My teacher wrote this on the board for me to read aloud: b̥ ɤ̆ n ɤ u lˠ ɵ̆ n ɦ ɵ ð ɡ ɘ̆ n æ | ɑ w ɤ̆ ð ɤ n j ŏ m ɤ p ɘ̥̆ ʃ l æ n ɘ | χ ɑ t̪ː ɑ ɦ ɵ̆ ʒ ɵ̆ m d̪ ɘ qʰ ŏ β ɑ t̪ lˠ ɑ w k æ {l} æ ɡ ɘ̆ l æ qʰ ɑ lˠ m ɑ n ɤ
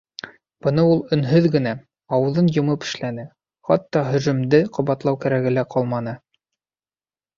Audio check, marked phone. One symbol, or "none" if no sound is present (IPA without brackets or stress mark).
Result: ɾ